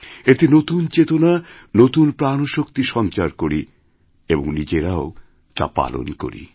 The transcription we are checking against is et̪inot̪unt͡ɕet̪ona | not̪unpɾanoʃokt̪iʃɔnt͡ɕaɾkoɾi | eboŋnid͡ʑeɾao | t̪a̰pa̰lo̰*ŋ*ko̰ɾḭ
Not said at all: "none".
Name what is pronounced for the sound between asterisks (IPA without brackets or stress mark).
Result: n